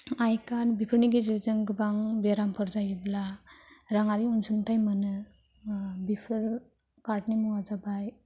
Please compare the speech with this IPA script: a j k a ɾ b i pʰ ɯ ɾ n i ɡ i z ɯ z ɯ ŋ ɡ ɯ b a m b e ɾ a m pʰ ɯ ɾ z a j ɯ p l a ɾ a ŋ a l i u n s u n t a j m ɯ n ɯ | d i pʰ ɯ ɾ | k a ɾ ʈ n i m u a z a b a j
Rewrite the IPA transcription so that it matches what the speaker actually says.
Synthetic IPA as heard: a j k a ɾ b i pʰ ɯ ɾ n i ɡ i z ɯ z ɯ ŋ ɡ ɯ b a ŋ b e ɾ a m pʰ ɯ ɾ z a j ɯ b l a ɾ a ŋ a ɾ i u n s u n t a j m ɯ n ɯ | b i pʰ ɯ ɾ | k a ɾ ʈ n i m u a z a b a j